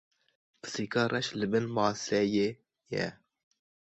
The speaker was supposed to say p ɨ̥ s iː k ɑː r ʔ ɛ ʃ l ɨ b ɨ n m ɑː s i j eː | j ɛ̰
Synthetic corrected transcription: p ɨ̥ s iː k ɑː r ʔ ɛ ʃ l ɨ b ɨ n m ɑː s ɛ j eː | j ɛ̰